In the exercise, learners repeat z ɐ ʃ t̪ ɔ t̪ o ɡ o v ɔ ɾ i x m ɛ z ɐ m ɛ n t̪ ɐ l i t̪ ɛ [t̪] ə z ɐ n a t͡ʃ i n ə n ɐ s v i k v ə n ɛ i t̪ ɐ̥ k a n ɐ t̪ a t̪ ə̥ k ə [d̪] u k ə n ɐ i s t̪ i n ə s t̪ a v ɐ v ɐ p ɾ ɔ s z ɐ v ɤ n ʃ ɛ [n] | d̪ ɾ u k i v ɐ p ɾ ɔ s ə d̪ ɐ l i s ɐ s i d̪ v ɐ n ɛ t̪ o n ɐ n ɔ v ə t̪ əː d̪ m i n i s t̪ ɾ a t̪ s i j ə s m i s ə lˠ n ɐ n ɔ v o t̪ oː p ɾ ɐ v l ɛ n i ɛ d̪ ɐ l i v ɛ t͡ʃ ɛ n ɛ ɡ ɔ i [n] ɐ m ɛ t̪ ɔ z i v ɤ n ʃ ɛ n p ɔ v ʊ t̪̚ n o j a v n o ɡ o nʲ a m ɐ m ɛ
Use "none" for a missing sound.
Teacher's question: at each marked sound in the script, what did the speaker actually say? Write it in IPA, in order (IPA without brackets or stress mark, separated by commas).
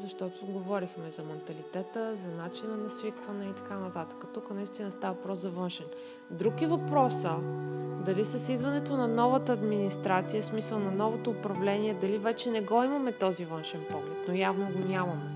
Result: t̪, t̪, n, m